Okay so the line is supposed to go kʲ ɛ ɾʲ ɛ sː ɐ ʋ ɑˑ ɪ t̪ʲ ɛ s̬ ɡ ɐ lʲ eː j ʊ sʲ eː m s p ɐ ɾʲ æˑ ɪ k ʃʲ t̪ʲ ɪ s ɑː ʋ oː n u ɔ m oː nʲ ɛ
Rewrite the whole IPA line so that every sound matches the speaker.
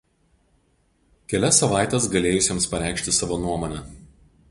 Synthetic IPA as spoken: kʲ ɛ lʲ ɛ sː ɐ ʋ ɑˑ ɪ t̪ʲ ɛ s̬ ɡ ɐ lʲ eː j ʊ sʲ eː m s p ɐ ɾʲ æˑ ɪ k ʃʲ t̪ʲ ɪ s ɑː ʋ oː n u ɔ m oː nʲ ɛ

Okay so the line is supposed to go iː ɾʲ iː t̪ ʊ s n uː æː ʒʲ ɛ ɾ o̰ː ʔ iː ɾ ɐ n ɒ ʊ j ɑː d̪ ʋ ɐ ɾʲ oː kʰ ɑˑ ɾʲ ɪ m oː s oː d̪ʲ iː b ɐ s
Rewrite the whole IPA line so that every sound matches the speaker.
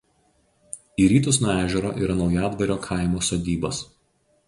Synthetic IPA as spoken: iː ɾʲ iː t̪ ʊ s n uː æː ʒʲ ɛ ɾ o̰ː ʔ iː ɾ ɐ n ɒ ʊ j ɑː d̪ ʋ ɐ ɾʲ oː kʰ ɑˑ ɪ m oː s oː d̪ʲ iː b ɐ s

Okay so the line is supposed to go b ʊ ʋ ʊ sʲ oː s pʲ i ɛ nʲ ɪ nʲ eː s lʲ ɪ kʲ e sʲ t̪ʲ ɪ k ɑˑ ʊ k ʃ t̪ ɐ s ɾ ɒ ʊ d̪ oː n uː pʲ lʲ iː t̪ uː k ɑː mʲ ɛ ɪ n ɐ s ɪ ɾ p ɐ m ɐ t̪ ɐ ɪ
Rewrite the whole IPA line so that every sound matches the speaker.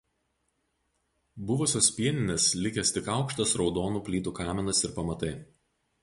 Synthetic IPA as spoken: b ʊ ʋ ʊ sʲ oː s pʲ i ɛ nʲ ɪ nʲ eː s lʲ ɪ kʲ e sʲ t̪ʲ ɪ k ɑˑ ʊ k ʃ t̪ ɐ s ɾ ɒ ʊ d̪ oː n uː pʲ lʲ iː t̪ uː k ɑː mʲ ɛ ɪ n ɐ s ɪ ɾ p ɐ m ɐ t̪ ɐ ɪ

